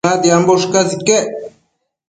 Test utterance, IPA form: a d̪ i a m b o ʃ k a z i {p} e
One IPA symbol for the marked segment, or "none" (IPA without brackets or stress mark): k